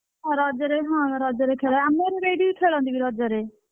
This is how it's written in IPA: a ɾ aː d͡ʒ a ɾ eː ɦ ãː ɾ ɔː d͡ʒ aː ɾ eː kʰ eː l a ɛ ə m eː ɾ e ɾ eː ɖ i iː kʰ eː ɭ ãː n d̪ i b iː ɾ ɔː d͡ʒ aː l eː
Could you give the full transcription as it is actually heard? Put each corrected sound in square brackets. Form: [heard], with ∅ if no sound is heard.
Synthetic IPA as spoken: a ɾ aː d͡ʒ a ɾ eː ɦ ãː ɾ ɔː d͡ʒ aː ɾ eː kʰ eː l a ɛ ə m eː ɾ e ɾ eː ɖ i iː kʰ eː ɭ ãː n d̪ i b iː ɾ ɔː d͡ʒ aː [ɾ] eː